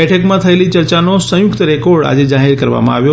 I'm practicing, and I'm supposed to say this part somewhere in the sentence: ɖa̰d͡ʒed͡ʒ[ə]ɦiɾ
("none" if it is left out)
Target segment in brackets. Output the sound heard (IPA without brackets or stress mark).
a